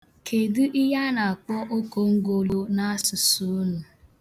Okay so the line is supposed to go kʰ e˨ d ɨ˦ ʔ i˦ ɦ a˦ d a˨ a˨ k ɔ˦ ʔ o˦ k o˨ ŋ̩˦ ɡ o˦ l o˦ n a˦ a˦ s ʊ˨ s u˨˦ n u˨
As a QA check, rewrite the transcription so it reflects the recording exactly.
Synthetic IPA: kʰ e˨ d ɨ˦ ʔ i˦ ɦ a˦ n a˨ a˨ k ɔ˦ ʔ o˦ k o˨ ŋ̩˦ ɡ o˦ l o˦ n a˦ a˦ s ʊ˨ s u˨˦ n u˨